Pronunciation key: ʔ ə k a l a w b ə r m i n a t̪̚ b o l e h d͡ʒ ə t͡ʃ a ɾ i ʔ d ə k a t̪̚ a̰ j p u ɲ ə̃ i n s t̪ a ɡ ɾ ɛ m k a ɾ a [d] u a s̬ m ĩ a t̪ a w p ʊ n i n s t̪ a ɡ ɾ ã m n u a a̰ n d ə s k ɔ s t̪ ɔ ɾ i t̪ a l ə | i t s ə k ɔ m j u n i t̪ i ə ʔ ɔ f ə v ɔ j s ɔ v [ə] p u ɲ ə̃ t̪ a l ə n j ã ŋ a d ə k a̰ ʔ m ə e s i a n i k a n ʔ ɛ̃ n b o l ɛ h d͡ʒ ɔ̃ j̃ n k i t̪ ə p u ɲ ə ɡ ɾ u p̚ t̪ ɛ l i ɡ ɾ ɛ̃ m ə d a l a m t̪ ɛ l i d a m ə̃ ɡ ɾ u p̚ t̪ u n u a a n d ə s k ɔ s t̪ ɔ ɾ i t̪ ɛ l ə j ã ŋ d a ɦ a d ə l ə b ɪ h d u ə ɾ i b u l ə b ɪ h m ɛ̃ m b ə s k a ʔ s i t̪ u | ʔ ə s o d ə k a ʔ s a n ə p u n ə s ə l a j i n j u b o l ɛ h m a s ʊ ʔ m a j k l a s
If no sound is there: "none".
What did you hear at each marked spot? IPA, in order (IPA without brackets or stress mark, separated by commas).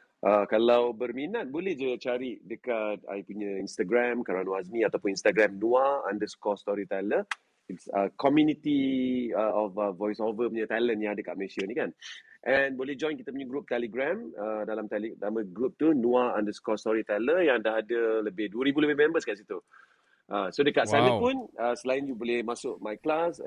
n, ə